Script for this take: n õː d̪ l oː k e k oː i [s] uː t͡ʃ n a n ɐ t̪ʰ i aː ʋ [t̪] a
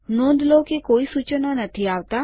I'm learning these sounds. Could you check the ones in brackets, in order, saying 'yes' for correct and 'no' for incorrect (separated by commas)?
yes, yes